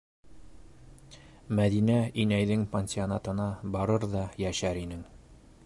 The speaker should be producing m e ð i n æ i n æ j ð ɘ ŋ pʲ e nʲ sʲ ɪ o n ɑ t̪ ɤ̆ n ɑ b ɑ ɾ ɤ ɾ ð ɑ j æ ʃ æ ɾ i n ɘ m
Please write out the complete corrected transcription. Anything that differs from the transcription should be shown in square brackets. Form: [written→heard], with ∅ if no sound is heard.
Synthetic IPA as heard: m [e→æ] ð i n æ i n æ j ð ɘ ŋ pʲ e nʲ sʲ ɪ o n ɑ t̪ ɤ̆ n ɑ b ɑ ɾ ɤ ɾ ð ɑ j æ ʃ æ ɾ i n ɘ [m→ŋ]